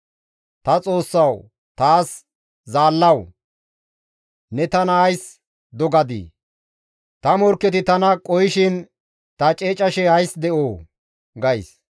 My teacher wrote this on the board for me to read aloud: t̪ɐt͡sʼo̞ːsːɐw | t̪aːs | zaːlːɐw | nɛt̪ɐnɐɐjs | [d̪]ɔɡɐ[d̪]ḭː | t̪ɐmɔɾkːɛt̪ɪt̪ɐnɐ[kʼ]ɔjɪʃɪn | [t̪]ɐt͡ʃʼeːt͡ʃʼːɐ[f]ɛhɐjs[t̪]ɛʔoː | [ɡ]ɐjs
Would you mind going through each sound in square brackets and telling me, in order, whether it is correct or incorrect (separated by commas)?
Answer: correct, correct, correct, correct, incorrect, incorrect, correct